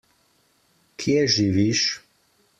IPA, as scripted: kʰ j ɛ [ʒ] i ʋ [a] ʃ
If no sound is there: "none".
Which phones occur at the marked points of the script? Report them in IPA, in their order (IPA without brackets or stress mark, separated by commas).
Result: ʒ, i